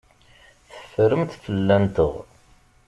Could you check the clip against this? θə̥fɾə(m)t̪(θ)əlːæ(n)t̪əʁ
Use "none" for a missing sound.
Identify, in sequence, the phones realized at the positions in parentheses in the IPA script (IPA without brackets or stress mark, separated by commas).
m, f, n